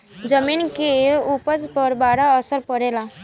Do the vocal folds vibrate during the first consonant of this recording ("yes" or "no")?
yes